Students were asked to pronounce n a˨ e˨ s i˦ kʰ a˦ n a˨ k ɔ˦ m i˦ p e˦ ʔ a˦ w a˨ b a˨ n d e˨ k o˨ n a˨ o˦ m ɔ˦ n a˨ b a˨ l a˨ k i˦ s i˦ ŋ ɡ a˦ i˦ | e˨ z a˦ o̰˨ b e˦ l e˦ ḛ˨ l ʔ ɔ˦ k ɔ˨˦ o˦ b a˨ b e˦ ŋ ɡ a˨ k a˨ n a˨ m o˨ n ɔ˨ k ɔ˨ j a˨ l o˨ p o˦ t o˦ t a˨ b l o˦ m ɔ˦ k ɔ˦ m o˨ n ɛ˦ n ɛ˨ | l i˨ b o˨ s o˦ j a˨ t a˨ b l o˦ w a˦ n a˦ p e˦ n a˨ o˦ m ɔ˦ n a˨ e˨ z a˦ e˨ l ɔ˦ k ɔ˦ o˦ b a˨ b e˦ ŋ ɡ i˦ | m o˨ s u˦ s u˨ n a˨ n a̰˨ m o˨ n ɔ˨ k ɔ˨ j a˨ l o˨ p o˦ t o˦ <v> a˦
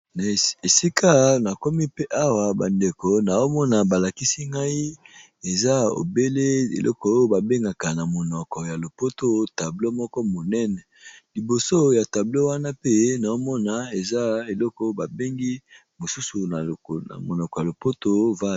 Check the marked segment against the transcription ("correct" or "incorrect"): correct